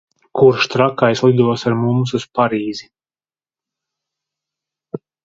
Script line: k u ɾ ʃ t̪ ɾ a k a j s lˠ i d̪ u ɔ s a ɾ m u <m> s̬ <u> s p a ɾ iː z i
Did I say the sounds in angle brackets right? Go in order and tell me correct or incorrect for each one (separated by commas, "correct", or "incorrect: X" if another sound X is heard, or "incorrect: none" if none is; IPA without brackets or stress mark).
correct, correct